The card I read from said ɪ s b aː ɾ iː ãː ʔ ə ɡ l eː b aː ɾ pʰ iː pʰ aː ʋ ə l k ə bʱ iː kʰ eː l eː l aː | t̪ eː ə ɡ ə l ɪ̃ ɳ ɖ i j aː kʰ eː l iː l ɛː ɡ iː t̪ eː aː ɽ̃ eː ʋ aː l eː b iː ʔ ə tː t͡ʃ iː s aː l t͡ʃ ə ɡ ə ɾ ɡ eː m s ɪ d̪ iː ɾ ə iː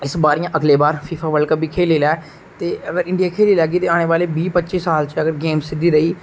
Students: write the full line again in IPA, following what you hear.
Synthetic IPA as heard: ɪ s b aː ɾ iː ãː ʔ ə ɡ l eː b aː ɾ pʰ iː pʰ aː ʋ ə l k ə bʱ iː kʰ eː l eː l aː | t̪ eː ə ɡ ə ɾ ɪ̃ ɳ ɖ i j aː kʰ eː l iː l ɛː ɡ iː t̪ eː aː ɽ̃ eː ʋ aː l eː b iː p ə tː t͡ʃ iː s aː l t͡ʃ ə ɡ ə ɾ ɡ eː m s ɪ d̪ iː ɾ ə iː